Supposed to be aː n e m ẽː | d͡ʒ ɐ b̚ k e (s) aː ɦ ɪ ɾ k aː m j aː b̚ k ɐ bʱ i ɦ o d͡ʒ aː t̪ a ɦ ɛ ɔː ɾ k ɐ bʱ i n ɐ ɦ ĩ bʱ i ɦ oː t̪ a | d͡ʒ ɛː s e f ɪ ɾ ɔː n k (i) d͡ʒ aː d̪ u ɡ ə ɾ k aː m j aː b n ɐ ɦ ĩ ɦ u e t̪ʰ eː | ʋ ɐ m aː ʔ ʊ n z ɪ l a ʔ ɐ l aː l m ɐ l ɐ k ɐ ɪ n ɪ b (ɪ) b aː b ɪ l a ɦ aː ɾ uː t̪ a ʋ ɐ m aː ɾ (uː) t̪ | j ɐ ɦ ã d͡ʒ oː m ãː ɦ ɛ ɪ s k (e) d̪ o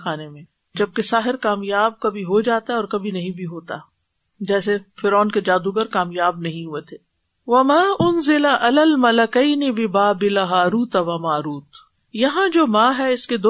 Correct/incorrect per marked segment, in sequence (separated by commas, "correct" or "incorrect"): correct, incorrect, correct, correct, correct